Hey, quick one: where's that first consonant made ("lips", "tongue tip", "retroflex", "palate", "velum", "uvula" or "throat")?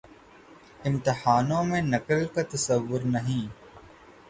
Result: lips